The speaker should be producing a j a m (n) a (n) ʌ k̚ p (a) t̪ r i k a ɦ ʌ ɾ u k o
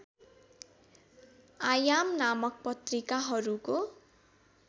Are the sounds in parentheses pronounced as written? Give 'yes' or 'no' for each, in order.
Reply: yes, no, no

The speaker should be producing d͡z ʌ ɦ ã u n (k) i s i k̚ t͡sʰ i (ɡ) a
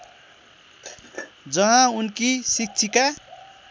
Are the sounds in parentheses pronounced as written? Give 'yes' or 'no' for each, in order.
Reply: yes, no

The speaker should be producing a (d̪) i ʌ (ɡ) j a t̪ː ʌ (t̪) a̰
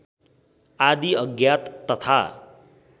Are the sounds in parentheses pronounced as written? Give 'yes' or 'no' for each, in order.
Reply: yes, yes, no

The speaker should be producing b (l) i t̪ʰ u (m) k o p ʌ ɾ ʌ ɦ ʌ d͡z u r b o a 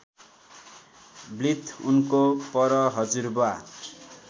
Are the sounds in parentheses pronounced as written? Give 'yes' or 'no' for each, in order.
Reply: yes, no

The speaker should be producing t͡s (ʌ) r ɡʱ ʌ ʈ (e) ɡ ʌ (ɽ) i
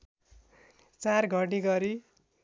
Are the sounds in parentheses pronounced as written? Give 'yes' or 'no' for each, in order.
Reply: no, no, no

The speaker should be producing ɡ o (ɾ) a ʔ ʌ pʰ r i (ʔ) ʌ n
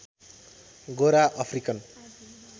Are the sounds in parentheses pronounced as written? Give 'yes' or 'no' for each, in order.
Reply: yes, no

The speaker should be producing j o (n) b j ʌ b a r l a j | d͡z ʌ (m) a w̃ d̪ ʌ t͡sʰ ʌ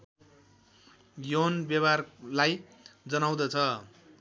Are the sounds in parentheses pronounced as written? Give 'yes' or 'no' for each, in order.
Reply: yes, no

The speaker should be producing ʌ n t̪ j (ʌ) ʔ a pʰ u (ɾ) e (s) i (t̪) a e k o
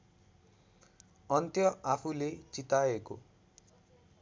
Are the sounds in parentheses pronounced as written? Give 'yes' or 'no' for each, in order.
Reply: yes, no, no, yes

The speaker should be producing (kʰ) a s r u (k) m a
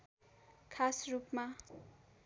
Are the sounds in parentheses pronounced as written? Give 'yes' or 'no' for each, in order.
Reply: yes, no

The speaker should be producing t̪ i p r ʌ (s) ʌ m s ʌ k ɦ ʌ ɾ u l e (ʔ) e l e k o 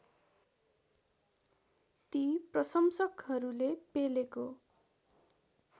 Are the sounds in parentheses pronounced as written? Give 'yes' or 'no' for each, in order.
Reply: yes, no

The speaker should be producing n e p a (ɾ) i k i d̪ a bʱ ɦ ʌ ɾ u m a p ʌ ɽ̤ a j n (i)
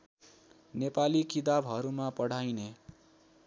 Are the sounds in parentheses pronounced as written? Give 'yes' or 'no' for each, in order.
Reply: no, no

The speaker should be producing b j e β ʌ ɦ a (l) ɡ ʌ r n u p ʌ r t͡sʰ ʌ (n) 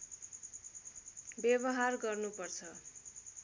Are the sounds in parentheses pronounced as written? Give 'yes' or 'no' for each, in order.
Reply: no, no

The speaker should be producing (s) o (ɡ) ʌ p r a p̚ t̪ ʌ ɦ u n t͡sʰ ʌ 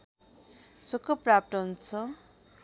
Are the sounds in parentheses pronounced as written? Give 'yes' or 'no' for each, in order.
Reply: yes, no

